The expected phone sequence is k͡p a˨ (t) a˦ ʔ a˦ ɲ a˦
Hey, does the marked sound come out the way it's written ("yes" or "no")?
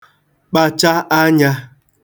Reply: no